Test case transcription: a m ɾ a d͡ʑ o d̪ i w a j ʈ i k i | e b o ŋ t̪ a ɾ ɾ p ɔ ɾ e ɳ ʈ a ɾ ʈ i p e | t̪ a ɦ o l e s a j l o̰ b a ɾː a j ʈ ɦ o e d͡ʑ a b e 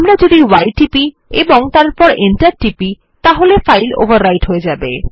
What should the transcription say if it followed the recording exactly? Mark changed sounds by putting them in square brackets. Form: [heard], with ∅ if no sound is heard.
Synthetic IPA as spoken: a m ɾ a d͡ʑ o d̪ i w a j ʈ i [p] i | e b o ŋ t̪ a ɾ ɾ p ɔ ɾ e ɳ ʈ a ɾ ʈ i p [i] | t̪ a ɦ o l e [f] a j l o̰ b a ɾː a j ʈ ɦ o e d͡ʑ a b e